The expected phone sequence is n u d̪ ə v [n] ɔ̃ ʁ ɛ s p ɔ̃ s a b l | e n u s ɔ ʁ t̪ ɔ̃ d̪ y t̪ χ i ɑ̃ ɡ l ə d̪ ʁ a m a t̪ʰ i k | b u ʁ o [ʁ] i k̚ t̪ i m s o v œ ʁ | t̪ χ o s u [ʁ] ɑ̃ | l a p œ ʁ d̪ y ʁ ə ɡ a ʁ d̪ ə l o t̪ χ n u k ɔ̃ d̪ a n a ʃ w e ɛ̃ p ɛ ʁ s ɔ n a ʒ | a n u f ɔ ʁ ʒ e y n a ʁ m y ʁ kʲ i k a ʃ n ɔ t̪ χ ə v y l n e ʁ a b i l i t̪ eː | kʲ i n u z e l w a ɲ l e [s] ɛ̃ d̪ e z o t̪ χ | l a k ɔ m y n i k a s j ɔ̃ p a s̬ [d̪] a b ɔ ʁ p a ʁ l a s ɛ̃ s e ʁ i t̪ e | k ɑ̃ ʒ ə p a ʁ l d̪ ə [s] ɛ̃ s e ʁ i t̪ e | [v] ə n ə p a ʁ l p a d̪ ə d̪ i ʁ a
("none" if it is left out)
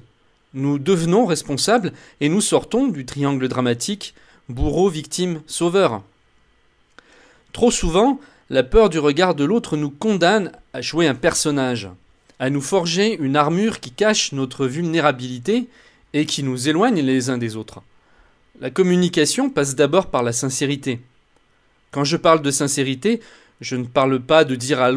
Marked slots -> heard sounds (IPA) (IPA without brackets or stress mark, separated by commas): n, v, v, z, d̪, s, ʒ